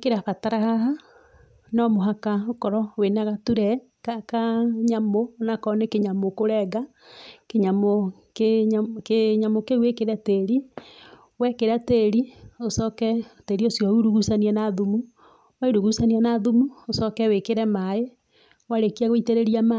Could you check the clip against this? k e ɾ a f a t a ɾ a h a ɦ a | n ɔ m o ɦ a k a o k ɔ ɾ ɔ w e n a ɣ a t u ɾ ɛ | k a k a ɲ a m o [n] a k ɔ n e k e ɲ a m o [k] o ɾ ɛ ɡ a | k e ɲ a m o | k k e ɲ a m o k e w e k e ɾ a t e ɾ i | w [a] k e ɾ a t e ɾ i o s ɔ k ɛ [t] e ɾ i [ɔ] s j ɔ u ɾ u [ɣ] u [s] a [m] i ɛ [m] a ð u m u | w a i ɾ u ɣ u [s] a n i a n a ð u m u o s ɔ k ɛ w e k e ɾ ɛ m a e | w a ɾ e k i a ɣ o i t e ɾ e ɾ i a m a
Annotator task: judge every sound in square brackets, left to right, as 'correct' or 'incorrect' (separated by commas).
correct, correct, incorrect, correct, incorrect, correct, correct, incorrect, incorrect, correct